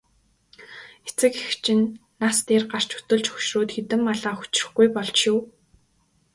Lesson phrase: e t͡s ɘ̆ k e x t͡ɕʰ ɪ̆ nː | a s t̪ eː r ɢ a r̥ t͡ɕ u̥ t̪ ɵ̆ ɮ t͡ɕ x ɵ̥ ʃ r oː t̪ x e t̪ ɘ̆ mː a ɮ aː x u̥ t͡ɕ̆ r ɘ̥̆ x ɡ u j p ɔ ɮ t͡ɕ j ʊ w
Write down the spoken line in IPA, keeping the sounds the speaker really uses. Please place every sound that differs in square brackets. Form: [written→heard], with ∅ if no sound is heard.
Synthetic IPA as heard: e t͡s ɘ̆ k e x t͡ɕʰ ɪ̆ nː | a s t̪ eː r ɢ a r̥ t͡ɕ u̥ t̪ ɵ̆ ɮ t͡ɕ x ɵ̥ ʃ r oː t̪ x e t̪ ɘ̆ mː a ɮ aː x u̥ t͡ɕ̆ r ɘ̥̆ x ɡ u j p ɔ ɮ t͡ɕ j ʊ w